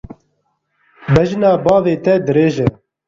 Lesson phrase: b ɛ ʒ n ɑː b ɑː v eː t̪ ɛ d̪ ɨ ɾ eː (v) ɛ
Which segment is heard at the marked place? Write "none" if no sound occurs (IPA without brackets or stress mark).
ʒ